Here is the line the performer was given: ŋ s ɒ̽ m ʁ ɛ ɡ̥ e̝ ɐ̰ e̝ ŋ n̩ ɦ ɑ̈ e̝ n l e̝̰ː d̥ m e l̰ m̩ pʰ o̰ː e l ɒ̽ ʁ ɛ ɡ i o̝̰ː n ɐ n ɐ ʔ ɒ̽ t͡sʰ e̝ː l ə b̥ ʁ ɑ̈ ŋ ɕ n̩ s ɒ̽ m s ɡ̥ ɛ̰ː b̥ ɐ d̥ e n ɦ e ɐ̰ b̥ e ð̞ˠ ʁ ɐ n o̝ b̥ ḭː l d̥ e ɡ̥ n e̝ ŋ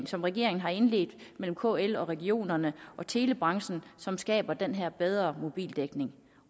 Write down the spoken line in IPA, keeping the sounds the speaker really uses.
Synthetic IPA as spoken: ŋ s ɒ̽ m ʁ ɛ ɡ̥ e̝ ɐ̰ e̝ ŋ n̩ ɦ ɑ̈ e̝ n l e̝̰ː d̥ m e l̰ m̩ kʰ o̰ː e l ɒ̽ ʁ ɛ ɡ i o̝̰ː n ɐ n ə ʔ ɒ̽ t͡sʰ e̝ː l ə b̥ ʁ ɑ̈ ŋ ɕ n̩ s ɒ̽ m s ɡ̥ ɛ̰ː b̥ ɐ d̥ e n ɦ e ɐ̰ b̥ e ð̞ˠ ʁ ɐ m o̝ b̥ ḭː l d̥ e ɡ̥ n e̝ ŋ